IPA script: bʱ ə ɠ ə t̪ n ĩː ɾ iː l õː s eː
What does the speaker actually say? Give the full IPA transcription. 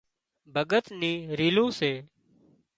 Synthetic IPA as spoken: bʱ ə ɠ ə t̪ n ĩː ɾ iː l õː s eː